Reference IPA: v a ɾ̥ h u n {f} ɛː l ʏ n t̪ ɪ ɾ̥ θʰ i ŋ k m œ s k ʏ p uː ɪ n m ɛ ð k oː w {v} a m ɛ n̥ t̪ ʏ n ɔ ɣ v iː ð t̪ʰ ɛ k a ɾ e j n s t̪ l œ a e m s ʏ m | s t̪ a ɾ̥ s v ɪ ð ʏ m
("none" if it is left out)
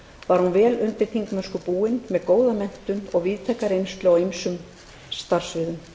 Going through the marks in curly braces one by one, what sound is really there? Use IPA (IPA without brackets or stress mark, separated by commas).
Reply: v, ð